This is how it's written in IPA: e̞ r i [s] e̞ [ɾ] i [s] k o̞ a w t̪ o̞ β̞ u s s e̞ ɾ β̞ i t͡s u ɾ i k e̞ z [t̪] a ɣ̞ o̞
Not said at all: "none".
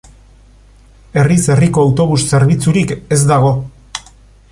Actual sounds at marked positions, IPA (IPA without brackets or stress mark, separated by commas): s, r, none, d̪